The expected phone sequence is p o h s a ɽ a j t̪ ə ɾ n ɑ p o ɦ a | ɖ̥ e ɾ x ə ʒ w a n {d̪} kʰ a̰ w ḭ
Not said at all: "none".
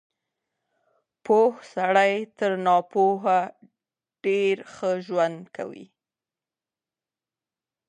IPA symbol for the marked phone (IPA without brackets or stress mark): d̪